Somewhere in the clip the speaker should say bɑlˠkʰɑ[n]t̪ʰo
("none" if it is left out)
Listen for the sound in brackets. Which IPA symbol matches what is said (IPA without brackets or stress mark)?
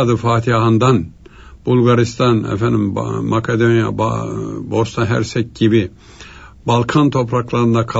n